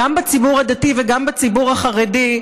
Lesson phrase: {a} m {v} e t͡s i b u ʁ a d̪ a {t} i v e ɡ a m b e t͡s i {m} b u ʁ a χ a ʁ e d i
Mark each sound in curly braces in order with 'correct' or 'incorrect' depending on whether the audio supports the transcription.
correct, incorrect: b, correct, incorrect: none

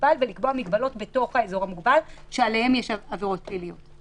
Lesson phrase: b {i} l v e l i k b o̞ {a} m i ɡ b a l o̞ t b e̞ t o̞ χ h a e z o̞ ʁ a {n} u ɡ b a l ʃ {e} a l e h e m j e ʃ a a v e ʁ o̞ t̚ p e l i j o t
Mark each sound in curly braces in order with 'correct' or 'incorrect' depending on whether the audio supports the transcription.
incorrect: a, correct, incorrect: m, correct

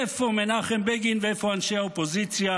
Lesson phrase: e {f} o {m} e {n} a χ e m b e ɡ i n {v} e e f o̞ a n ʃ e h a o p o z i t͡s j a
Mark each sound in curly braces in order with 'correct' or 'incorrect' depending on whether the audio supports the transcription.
correct, correct, correct, correct

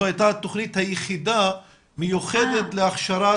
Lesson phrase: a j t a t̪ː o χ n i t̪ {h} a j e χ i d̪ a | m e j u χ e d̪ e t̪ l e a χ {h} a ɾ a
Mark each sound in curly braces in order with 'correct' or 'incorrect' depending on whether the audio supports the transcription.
correct, incorrect: ʃ

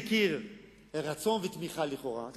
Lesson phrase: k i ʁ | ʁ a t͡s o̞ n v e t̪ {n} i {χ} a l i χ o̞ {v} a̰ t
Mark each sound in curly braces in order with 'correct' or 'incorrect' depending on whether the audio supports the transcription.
incorrect: m, correct, incorrect: ʁ

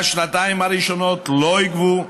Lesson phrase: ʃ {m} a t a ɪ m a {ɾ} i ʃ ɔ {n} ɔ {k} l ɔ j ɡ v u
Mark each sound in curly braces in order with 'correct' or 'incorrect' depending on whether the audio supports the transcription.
incorrect: n, correct, correct, incorrect: t

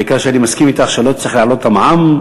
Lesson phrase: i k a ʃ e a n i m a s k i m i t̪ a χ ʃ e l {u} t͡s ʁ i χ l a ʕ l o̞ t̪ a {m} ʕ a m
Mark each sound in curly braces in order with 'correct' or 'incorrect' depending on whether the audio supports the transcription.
incorrect: o, correct

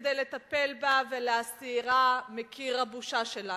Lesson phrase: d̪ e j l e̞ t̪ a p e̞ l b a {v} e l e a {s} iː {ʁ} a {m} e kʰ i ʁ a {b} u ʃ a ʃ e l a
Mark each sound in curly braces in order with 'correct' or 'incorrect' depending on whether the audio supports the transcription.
correct, correct, correct, correct, correct

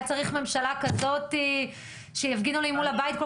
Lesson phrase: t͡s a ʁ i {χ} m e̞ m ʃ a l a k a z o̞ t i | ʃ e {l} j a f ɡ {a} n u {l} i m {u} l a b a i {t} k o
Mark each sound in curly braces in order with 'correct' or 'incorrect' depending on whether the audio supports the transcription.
correct, incorrect: none, incorrect: i, correct, correct, correct

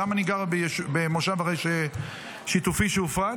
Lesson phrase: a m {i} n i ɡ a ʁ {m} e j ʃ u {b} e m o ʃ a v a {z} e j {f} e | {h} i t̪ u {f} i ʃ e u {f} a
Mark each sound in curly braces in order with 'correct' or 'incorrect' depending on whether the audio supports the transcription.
incorrect: a, incorrect: b, correct, incorrect: ʁ, incorrect: ʃ, incorrect: ʃ, correct, correct

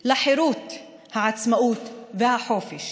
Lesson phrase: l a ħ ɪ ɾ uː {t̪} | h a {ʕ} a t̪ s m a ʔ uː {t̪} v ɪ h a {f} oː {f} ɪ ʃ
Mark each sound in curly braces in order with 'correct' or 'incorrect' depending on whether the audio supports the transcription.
correct, correct, correct, incorrect: ħ, correct

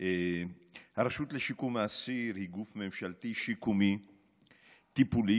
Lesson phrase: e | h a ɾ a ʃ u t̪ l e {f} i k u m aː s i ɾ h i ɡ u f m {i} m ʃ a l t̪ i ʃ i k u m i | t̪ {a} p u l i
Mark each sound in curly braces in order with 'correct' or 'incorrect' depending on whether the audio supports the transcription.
incorrect: ʃ, incorrect: e, incorrect: i

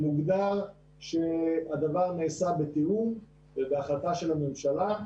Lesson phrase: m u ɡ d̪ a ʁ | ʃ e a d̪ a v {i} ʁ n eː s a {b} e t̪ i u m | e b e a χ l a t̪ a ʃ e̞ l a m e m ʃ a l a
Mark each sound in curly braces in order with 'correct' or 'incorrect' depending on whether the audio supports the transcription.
incorrect: a, correct

